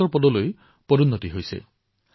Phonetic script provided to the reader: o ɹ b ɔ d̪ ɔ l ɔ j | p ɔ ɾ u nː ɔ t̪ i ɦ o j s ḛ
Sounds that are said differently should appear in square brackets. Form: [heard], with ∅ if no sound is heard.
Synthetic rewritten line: [ɔ] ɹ [p] ɔ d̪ ɔ l [o] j | p ɔ ɾ u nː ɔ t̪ i ɦ o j s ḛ